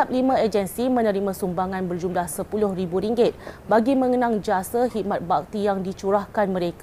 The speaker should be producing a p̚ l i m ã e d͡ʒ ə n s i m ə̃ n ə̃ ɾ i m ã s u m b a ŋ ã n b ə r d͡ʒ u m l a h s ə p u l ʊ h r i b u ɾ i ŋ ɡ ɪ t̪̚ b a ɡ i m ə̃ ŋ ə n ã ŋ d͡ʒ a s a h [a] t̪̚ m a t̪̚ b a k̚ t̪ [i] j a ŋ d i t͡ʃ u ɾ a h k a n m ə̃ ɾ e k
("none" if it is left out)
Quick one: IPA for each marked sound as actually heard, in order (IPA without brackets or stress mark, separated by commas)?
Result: i, i